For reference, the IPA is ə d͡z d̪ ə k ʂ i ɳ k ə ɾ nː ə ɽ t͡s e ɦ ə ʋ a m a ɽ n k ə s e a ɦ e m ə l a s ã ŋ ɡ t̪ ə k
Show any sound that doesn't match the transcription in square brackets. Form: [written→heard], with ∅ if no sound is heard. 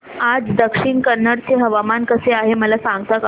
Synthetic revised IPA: [ə→a] d͡z d̪ ə k ʂ i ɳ k ə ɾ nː ə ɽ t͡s e ɦ ə ʋ a m a [ɽ→∅] n k ə s e a ɦ e m ə l a s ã ŋ ɡ t̪ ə k